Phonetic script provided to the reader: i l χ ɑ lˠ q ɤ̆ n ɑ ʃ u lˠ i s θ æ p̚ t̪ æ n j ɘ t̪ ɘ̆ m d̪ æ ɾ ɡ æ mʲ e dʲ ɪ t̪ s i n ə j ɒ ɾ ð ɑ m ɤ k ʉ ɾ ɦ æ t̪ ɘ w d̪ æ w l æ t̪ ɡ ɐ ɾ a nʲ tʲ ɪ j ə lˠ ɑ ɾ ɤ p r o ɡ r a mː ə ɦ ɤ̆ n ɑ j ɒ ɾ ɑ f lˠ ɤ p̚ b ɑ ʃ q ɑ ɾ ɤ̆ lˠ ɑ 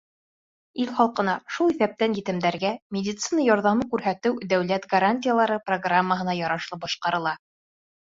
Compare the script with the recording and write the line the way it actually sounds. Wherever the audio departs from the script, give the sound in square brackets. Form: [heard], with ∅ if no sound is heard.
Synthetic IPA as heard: i l χ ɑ lˠ q ɤ̆ n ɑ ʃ u lˠ i [∅] θ æ p̚ t̪ æ n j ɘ t̪ ɘ̆ m d̪ æ ɾ ɡ æ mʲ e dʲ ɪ t̪ s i n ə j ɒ ɾ ð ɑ m ɤ k ʉ ɾ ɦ æ t̪ ɘ w d̪ æ w l æ t̪ ɡ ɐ ɾ a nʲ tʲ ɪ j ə lˠ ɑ ɾ ɤ p r o ɡ r a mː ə ɦ ɤ̆ n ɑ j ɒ ɾ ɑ [ʃ] lˠ ɤ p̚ b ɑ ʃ q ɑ ɾ ɤ̆ lˠ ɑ